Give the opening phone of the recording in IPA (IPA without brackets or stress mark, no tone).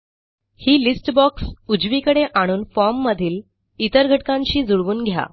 h